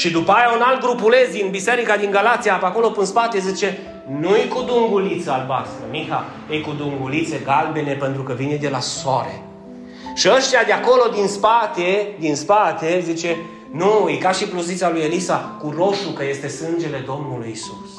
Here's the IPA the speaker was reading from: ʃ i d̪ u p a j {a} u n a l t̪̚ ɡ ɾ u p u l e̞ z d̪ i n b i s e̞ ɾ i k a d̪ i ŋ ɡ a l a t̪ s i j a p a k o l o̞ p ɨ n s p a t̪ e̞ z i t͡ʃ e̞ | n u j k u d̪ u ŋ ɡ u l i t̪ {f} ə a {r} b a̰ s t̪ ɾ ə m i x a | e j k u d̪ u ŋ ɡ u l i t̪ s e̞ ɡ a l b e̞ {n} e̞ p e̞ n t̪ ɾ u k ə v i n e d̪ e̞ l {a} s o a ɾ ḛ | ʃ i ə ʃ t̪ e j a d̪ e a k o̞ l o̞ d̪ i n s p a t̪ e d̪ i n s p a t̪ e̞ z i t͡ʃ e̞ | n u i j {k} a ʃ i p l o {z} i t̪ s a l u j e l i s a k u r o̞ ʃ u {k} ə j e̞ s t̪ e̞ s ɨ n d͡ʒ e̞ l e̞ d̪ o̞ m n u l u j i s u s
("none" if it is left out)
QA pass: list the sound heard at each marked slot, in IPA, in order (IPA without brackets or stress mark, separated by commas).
a, s, l, n, a, k, z, k